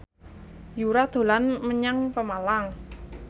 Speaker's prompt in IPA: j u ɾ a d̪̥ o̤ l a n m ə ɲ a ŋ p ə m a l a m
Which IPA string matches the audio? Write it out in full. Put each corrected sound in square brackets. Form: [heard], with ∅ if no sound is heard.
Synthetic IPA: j u ɾ a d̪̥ o̤ l a n m ə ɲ a ŋ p ə m a l a [ŋ]